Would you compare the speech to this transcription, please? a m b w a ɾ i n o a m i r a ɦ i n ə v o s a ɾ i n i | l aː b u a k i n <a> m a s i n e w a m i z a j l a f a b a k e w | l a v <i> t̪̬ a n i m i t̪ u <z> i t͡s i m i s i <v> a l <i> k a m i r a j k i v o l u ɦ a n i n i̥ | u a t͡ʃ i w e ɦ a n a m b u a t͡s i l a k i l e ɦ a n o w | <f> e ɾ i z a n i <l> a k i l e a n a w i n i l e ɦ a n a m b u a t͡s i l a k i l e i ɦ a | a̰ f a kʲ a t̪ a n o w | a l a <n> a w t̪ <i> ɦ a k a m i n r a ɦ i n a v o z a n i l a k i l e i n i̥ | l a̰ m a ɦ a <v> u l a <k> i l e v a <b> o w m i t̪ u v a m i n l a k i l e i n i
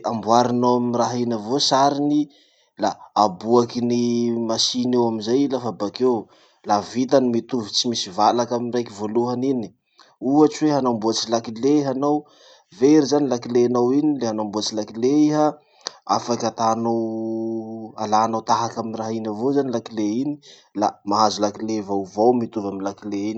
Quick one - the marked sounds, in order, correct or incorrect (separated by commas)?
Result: incorrect, correct, incorrect, correct, incorrect, incorrect, correct, correct, incorrect, incorrect, correct, incorrect